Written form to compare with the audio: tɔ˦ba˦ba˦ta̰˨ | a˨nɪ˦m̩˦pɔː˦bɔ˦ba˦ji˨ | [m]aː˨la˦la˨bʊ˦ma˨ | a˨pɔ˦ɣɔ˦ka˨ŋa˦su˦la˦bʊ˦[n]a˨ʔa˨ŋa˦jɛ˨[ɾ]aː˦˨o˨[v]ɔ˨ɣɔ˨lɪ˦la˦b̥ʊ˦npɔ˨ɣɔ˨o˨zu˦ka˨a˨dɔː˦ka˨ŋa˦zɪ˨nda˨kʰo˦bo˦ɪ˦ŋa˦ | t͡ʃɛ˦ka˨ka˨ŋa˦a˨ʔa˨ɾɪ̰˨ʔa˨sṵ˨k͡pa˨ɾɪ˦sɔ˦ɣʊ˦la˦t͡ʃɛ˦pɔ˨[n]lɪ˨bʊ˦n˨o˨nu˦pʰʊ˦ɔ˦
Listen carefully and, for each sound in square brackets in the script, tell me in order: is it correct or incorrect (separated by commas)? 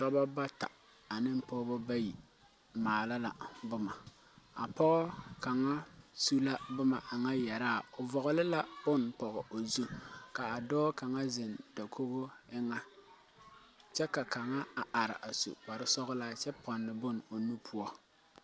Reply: correct, incorrect, correct, correct, correct